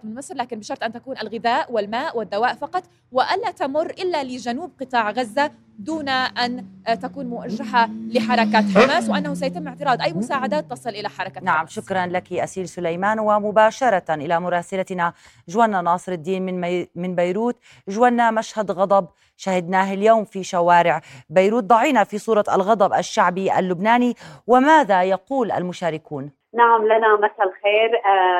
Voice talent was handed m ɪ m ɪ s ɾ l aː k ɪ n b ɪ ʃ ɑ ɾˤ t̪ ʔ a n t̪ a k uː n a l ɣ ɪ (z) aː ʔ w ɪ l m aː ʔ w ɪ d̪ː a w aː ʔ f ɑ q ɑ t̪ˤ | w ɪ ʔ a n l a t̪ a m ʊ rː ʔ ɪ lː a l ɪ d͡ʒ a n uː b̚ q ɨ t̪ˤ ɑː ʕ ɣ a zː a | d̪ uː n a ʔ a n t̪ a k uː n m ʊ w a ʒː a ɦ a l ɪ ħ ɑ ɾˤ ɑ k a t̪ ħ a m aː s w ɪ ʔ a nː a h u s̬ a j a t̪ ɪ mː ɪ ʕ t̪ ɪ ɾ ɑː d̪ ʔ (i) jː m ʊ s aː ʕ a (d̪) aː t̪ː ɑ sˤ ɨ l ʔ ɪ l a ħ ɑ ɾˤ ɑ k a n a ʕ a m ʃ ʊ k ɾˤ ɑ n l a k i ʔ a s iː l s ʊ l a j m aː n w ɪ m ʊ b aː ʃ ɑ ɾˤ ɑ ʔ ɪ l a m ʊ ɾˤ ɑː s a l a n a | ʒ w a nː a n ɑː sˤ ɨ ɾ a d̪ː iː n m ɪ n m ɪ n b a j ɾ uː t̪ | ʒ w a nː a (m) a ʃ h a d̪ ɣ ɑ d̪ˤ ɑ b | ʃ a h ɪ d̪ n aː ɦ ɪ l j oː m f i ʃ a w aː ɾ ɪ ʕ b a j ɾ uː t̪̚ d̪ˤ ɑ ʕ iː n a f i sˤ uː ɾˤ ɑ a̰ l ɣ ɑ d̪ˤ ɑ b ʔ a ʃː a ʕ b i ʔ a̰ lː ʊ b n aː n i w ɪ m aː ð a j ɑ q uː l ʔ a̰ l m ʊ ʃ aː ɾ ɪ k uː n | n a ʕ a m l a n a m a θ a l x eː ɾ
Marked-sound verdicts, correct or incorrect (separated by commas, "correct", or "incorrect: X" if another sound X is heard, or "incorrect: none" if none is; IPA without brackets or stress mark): incorrect: ð, incorrect: a, correct, correct